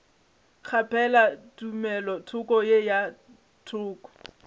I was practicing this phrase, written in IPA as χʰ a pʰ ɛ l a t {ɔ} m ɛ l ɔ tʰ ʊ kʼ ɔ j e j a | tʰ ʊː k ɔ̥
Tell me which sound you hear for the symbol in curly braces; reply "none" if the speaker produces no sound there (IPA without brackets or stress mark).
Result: u